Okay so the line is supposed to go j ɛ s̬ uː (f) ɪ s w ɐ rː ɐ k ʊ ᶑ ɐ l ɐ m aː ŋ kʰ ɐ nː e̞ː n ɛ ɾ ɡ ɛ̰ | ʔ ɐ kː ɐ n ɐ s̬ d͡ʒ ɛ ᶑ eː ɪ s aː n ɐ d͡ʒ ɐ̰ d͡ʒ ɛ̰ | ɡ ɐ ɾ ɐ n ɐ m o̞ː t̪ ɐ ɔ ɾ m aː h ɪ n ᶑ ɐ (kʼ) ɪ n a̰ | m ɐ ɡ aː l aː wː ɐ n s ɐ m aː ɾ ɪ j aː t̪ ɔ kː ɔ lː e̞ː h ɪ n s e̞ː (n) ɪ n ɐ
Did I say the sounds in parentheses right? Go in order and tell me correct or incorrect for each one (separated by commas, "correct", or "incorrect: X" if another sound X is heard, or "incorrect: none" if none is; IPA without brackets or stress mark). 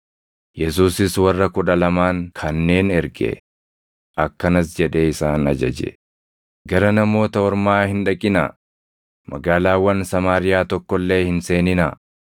incorrect: s, correct, correct